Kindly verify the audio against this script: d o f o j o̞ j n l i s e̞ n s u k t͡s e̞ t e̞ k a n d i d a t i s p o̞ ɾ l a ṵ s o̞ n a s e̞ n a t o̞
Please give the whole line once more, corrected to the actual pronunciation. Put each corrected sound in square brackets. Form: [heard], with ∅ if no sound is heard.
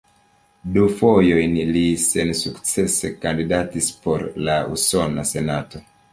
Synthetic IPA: d [u] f o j o̞ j n l i s e̞ n s u k t͡s e̞ [s] e̞ k a n d i d a t i s p o̞ ɾ l a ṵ s o̞ n a s e̞ n a t o̞